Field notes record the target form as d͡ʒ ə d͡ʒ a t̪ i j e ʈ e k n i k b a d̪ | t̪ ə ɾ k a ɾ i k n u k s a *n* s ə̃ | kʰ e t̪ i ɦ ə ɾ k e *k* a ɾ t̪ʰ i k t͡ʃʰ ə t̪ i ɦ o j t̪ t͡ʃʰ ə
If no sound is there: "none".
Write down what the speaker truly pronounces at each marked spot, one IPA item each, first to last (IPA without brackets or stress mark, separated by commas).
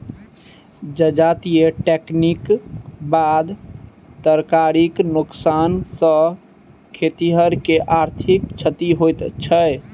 n, ʔ